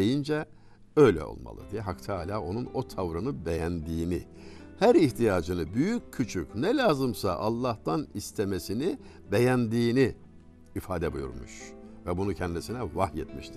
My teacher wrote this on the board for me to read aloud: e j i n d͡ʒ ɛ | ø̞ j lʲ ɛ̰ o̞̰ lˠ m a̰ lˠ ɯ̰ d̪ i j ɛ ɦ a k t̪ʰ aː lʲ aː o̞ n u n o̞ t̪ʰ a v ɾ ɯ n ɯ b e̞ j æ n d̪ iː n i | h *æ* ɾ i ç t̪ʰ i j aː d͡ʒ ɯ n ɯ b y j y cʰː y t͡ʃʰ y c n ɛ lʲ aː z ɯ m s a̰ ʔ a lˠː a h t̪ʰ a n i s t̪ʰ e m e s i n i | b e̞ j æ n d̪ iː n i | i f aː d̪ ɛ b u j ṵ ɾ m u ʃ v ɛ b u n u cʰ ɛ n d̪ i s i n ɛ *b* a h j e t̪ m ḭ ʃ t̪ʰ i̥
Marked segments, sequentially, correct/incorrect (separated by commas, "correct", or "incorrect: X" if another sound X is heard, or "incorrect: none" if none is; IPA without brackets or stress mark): correct, incorrect: v